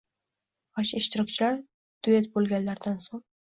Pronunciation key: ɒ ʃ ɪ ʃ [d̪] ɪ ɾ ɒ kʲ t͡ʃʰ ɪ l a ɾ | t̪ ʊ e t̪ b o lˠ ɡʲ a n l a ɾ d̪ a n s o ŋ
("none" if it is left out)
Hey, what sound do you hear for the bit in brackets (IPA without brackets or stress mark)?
t̪